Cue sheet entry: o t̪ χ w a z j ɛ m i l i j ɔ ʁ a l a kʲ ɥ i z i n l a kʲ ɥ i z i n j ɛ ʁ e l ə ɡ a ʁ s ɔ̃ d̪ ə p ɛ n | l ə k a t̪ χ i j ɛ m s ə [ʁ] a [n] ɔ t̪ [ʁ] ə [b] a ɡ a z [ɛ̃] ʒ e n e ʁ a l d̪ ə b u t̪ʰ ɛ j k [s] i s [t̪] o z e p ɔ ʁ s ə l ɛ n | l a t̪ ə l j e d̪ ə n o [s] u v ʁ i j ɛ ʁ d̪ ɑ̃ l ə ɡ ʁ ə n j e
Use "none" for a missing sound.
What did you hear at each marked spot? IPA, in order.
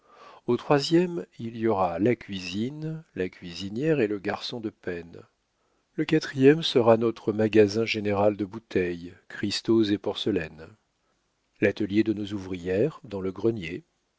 ʁ, n, χ, m, ɛ̃, χ, t̪, z

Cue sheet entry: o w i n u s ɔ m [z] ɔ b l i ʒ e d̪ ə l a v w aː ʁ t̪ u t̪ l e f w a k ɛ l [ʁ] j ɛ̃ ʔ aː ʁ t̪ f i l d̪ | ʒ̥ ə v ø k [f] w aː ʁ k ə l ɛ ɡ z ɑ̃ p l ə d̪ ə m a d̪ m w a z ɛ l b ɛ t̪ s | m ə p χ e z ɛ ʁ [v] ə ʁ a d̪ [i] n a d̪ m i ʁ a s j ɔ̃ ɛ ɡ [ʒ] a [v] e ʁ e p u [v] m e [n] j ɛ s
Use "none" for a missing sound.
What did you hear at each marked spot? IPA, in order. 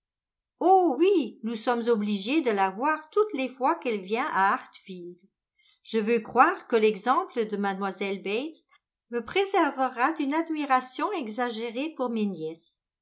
z, v, χ, v, y, z, ʒ, ʁ, n

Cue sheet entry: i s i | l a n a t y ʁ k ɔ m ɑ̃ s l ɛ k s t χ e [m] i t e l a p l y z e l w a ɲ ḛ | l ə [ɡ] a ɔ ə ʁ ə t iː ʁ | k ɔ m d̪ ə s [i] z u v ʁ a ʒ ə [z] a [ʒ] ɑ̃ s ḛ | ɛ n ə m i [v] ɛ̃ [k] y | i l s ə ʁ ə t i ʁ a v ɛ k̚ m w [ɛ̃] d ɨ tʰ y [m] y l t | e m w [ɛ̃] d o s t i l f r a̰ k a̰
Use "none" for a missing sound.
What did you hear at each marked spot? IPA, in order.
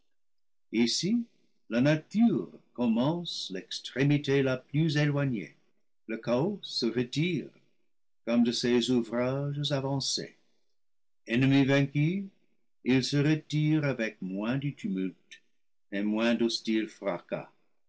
m, k, e, z, v, v, k, ɛ̃, m, ɛ̃

